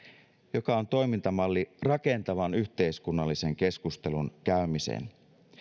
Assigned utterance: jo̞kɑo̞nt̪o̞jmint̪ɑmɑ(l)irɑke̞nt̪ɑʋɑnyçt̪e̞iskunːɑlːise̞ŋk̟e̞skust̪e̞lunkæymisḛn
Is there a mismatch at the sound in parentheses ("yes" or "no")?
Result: yes